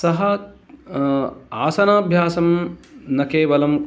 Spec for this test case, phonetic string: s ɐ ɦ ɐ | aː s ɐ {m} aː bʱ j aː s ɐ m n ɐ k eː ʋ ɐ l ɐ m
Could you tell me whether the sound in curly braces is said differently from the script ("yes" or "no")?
yes